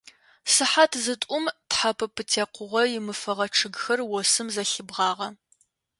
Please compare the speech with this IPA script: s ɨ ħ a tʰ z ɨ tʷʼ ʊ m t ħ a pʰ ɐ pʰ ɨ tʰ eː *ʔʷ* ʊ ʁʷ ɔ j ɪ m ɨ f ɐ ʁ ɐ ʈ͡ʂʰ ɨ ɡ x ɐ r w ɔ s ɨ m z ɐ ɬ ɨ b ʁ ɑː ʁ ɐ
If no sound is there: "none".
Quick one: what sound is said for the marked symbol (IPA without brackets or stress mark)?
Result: qʷ